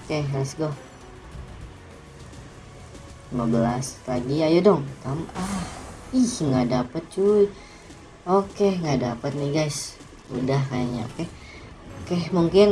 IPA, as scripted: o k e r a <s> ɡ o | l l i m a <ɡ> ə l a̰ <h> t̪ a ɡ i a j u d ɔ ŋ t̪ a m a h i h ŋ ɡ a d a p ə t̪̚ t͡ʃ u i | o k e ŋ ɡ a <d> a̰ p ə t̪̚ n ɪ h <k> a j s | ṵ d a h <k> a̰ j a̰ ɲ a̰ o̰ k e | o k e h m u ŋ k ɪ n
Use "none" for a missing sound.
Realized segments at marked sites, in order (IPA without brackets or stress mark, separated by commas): s, b, s, d, ɡ, k